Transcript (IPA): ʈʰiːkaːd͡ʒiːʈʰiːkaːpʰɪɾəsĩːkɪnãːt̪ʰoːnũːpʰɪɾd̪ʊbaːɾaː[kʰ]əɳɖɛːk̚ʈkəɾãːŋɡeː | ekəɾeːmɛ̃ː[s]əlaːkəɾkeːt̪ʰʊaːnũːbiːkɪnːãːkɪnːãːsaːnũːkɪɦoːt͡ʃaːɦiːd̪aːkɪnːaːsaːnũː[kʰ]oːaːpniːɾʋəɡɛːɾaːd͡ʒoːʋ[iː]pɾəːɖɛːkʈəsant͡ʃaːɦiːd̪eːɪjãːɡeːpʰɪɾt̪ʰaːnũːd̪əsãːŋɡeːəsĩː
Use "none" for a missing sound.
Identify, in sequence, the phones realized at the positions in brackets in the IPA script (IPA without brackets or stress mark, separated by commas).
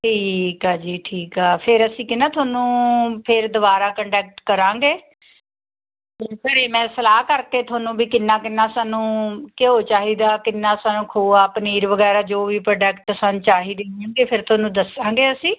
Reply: k, s, kʰ, iː